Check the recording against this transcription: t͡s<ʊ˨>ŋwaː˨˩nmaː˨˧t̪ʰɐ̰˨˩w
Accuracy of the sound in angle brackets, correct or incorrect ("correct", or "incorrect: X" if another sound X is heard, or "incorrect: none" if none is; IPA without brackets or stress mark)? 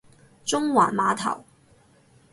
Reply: incorrect: ʊ˥